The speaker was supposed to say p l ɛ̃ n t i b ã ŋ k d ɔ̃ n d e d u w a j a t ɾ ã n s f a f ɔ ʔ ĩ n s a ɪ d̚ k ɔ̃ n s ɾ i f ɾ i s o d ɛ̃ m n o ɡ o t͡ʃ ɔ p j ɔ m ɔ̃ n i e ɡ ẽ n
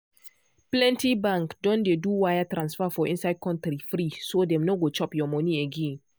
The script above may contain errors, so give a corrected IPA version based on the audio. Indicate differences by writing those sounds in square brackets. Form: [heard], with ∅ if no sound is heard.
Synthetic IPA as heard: p l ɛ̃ n t i b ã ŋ k d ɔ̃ n d e d u w a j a t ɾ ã n s f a f ɔ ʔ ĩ n s a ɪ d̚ k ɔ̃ n [t] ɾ i f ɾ i s o d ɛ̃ m n o ɡ o t͡ʃ ɔ p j ɔ m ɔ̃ n i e ɡ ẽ n